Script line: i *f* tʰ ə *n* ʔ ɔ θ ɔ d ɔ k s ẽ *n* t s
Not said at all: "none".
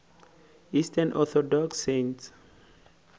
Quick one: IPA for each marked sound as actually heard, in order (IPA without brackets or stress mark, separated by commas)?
s, n, n